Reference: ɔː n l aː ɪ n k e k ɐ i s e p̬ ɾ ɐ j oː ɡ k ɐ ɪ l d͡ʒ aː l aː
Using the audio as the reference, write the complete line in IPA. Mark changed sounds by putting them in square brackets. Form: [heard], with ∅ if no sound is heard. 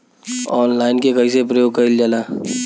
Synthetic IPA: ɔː n l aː ɪ n k e k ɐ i s e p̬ ɾ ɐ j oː ɡ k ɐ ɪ l d͡ʒ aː l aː